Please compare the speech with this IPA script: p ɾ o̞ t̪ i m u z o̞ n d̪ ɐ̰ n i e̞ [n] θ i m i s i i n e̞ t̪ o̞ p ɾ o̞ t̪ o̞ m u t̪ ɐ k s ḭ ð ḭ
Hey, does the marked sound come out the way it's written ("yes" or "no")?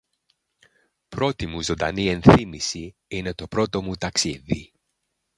yes